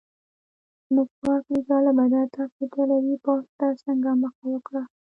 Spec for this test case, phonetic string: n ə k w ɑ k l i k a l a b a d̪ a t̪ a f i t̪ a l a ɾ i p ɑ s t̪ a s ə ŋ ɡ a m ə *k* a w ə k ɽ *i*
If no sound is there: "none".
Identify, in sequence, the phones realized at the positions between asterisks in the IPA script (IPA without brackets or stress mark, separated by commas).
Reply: x, a